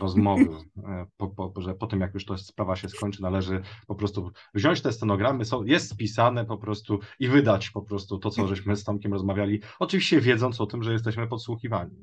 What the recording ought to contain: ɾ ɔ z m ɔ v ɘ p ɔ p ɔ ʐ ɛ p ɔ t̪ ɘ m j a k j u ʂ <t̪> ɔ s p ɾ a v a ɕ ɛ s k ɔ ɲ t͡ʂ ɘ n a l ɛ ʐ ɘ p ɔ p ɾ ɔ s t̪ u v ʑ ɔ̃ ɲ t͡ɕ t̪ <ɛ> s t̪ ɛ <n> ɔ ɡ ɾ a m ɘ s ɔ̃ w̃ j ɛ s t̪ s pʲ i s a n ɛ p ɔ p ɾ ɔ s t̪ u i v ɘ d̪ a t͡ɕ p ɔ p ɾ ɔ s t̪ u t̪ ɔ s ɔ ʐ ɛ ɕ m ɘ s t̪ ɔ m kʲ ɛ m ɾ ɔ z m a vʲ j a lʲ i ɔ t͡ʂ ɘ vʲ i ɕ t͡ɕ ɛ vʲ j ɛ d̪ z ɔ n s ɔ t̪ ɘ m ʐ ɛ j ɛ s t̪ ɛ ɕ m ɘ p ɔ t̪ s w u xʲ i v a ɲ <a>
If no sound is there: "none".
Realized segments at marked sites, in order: t̪, ɛ, n, i

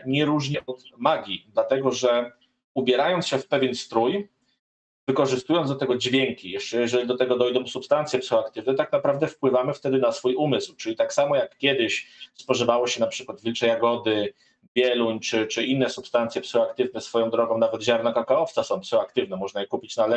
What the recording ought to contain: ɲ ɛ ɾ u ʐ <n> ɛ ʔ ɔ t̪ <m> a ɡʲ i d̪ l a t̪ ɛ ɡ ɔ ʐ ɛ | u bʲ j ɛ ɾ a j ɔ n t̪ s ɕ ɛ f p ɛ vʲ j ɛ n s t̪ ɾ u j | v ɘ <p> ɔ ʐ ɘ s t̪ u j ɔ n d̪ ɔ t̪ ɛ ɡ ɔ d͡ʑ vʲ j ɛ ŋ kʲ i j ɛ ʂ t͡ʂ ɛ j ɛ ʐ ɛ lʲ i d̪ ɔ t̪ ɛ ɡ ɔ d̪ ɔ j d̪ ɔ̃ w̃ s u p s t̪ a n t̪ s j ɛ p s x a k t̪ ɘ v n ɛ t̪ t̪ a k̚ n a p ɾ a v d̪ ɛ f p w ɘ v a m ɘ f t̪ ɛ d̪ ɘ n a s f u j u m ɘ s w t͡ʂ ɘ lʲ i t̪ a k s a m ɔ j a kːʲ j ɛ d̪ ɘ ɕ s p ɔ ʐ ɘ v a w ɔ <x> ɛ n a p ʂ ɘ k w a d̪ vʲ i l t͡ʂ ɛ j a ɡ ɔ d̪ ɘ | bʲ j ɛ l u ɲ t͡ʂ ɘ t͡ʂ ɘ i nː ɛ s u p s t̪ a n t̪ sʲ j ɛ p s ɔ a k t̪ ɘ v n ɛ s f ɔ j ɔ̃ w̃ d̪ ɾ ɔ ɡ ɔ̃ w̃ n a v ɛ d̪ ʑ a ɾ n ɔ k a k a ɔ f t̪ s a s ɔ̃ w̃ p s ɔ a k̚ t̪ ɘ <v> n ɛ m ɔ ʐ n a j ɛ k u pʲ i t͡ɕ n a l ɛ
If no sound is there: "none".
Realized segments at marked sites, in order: ɲ, m, k, ɕ, v

